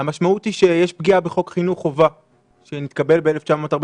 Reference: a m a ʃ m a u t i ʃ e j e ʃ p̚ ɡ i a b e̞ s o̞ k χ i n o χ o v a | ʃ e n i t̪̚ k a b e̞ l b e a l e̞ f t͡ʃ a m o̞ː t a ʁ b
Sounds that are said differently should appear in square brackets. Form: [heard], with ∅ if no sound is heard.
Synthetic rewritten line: a m a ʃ m a u t i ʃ e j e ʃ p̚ ɡ i a b e̞ [χ] o̞ k χ i n [u] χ o v a | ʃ e n i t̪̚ k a b e̞ l b e [e] l e̞ f t͡ʃ a m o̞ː t a ʁ b